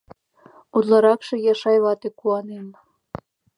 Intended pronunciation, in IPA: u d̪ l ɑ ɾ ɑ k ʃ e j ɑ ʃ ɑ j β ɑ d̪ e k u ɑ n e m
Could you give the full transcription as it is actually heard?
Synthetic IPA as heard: u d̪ l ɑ ɾ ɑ k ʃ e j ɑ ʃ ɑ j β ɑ t̪ e k u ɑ n e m